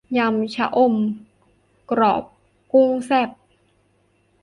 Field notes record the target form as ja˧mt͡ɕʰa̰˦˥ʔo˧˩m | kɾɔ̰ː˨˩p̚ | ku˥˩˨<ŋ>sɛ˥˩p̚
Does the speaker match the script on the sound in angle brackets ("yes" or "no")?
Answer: yes